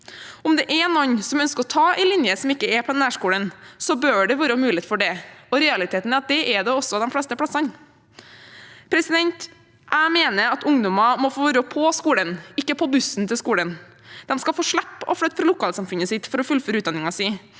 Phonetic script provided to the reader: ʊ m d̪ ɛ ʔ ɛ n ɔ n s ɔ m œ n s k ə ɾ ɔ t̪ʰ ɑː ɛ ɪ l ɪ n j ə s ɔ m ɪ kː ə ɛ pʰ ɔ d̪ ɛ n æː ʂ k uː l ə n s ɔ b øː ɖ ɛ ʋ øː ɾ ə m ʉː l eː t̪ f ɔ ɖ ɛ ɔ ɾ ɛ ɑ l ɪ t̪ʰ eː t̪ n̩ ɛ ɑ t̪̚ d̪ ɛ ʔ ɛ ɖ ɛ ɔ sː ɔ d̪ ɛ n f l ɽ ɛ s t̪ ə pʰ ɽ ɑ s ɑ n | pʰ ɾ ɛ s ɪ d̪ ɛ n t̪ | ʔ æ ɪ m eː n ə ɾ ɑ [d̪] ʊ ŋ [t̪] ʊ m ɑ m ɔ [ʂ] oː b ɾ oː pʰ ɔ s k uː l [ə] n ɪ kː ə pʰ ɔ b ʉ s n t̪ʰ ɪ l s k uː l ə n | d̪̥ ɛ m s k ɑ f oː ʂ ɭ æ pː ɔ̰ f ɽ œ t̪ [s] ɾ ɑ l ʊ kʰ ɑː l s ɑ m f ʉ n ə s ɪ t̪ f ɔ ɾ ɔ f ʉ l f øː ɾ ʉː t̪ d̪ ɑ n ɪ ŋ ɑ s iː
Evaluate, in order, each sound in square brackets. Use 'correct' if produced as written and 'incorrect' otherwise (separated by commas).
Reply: incorrect, incorrect, incorrect, correct, incorrect